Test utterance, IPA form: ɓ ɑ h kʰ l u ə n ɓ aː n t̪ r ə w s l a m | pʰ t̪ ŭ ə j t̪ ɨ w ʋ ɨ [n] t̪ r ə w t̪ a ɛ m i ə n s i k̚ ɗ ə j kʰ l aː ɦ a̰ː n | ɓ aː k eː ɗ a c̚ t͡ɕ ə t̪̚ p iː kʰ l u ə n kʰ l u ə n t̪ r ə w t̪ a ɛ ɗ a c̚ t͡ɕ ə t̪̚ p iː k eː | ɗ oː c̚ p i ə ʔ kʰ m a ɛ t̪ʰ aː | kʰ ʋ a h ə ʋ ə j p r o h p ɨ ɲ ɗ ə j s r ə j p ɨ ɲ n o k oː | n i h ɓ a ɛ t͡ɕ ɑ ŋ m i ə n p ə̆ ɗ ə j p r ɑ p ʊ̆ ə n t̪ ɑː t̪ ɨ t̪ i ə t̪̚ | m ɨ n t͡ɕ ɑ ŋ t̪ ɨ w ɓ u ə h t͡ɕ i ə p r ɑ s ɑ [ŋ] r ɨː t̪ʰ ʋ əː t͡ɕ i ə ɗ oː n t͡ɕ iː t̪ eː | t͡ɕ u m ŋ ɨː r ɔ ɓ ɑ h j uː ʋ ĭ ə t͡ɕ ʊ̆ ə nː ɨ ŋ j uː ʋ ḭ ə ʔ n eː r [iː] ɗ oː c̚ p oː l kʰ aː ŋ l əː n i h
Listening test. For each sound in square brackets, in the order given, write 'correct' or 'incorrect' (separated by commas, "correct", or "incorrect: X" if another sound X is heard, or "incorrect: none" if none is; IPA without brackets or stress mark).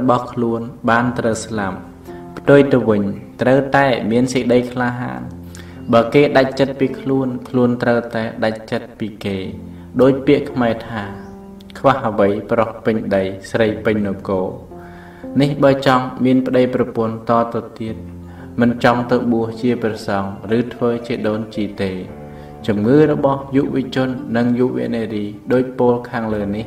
incorrect: ɲ, correct, correct